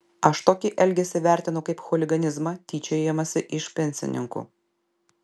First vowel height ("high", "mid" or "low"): low